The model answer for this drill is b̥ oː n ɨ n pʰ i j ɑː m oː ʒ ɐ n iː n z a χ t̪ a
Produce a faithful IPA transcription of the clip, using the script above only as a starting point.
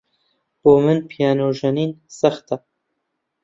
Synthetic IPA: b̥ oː m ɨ n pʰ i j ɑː n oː ʒ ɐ n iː n s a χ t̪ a

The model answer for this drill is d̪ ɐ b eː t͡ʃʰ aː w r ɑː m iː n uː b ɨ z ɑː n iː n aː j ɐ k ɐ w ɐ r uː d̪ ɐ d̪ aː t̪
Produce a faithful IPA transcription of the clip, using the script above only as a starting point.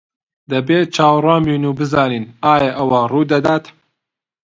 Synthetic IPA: d̪ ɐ b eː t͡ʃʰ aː w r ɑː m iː n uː b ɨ z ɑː n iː n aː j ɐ ʔ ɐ w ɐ r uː d̪ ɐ d̪ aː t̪

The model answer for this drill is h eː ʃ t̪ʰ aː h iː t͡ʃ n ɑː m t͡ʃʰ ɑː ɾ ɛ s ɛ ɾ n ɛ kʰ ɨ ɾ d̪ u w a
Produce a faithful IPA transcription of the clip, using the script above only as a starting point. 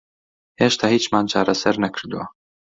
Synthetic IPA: h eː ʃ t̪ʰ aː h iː t͡ʃ m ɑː n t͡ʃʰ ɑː ɾ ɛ s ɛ ɾ n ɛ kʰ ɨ ɾ d̪ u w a

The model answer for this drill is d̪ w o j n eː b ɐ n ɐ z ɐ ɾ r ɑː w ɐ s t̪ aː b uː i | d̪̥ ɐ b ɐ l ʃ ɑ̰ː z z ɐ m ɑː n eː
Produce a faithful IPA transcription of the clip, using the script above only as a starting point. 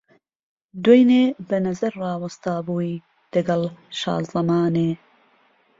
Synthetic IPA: d̪ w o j n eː b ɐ n ɐ z ɐ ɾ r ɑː w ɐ s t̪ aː b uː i | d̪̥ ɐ ɡ ɐ l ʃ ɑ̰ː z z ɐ m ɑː n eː

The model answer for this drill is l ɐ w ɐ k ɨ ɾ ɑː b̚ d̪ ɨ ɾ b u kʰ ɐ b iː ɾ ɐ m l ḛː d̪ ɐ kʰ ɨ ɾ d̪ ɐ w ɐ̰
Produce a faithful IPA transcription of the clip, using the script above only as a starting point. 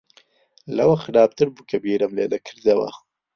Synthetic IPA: l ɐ w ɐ x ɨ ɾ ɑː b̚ t̪ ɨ ɾ b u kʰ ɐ b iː ɾ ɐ m l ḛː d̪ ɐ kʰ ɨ ɾ d̪ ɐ w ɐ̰

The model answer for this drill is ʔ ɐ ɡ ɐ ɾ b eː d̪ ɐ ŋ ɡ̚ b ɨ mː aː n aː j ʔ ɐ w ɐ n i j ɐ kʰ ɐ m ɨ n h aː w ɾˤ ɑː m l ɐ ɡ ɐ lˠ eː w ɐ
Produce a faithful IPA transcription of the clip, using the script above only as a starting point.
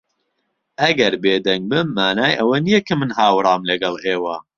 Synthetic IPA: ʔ ɐ ɡ ɐ ɾ b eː d̪ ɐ ŋ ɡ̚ b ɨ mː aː n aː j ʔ ɐ w ɐ n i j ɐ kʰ ɐ m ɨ n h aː w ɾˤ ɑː m l ɐ ɡ ɐ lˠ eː w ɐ

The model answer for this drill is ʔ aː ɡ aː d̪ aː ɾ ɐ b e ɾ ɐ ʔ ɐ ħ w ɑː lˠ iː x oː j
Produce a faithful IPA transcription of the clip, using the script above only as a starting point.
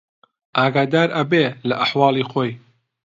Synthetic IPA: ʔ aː ɡ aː d̪ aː ɾ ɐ b e l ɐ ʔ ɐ ħ w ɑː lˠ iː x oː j

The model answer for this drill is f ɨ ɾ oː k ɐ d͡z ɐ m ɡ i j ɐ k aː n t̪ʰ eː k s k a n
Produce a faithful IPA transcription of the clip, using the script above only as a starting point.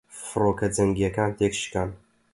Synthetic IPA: f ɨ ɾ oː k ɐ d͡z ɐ ŋ ɡ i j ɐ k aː n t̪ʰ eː k ʃ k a n

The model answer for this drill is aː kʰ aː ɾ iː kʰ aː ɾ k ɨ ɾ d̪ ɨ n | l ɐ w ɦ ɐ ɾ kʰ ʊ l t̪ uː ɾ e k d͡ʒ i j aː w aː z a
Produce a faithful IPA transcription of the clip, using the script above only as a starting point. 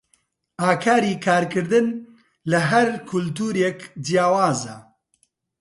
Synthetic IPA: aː kʰ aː ɾ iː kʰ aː ɾ k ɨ ɾ d̪ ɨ n | l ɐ ɦ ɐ ɾ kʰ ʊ l t̪ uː ɾ e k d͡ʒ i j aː w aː z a

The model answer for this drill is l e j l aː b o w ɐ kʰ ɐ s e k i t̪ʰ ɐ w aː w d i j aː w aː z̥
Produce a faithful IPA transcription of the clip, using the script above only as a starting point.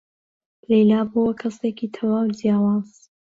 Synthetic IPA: l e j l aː b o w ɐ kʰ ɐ s e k i t̪ʰ ɐ w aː w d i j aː w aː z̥

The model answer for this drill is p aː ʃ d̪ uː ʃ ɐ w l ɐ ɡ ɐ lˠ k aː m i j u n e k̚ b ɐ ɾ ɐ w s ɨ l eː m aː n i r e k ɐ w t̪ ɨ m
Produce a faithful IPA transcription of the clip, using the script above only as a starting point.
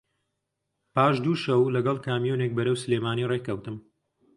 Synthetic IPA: p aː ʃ d̪ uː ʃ ɐ w l ɐ ɡ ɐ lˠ k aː m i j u n e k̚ b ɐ ɾ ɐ w s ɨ l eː m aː n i r e k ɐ w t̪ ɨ m

